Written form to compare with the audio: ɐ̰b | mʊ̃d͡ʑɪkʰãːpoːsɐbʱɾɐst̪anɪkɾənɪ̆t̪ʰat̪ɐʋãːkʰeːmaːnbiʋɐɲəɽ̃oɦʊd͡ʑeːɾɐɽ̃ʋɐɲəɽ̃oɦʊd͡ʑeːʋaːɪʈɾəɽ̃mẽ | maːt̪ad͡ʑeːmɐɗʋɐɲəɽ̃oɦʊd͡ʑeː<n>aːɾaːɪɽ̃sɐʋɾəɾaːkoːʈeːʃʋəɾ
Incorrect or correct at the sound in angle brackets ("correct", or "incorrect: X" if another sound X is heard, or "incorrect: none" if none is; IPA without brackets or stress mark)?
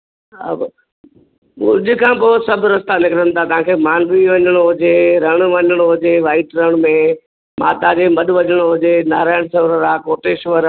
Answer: correct